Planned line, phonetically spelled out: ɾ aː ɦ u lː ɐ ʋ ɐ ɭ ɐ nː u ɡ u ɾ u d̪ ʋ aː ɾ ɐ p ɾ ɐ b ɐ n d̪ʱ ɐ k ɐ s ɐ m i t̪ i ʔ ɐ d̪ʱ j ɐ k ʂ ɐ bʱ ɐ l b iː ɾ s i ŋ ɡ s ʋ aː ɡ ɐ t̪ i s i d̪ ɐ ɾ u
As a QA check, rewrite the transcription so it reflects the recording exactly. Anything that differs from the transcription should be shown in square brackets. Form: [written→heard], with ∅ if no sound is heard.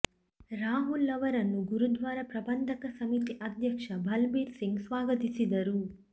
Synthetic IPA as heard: ɾ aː ɦ u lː ɐ ʋ ɐ [ɭ→ɾ] ɐ nː u ɡ u ɾ u d̪ ʋ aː ɾ ɐ p ɾ ɐ b ɐ n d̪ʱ ɐ k ɐ s ɐ m i t̪ i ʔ ɐ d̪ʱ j ɐ k ʂ ɐ bʱ ɐ l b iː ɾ s i ŋ ɡ s ʋ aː ɡ ɐ t̪ i s i d̪ ɐ ɾ u